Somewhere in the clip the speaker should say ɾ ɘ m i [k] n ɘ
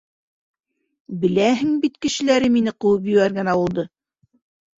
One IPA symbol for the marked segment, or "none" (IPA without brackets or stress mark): none